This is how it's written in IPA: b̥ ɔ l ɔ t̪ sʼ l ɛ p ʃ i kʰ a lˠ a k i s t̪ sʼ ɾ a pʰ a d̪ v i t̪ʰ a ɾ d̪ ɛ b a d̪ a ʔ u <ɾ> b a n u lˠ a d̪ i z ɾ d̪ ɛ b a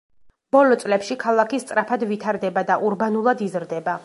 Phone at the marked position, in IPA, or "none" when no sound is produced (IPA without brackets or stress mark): ɾ